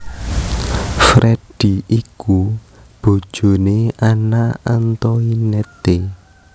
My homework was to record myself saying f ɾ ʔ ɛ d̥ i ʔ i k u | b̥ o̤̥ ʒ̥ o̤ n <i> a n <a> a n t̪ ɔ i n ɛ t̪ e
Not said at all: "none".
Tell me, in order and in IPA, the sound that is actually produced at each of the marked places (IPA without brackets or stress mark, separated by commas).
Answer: e, a